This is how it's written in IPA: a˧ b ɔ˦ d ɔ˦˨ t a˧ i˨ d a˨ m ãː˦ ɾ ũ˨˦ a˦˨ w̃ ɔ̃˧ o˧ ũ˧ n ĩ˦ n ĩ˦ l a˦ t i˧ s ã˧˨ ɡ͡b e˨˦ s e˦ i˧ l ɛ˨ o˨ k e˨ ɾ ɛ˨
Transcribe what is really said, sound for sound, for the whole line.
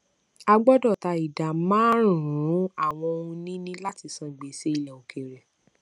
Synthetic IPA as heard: a˧ ɡ͡b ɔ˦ d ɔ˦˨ t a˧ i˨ d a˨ m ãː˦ ɾ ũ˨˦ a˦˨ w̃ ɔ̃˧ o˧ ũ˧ n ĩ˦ n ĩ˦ l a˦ t i˧ s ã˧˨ ɡ͡b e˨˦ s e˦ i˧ l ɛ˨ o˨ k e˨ ɾ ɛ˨